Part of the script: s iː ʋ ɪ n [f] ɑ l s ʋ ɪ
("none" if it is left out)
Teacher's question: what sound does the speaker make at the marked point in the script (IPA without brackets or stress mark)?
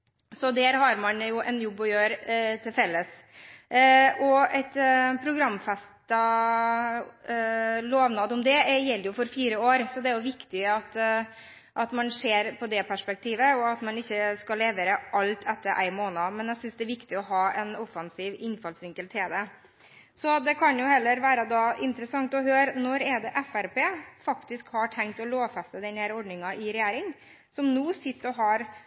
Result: f